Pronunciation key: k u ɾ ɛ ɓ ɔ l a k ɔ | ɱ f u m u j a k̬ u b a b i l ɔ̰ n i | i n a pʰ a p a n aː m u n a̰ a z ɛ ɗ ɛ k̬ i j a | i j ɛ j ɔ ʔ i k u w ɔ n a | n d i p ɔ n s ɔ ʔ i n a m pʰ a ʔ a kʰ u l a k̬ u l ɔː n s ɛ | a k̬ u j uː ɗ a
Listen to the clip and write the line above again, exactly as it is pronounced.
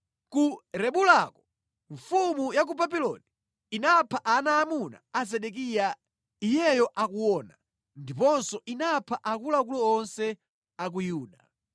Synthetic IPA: k u ɾ ɛ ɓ u l a k ɔ | ɱ f u m u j a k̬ u b a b i l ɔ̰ n i | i n a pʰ a ʔ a n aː m u n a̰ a z ɛ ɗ ɛ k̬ i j a | i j ɛ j ɔ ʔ a k u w ɔ n a | n d i p ɔ n s ɔ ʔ i n a pʰ a ʔ a k u l a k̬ u l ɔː n s ɛ | a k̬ u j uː ɗ a